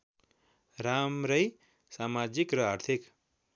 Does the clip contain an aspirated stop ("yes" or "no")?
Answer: yes